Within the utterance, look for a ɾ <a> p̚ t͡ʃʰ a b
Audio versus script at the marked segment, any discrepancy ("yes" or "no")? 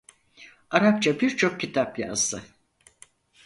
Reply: no